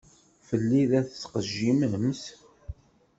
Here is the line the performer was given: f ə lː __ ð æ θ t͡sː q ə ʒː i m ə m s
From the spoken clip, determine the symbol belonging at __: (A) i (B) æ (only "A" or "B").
A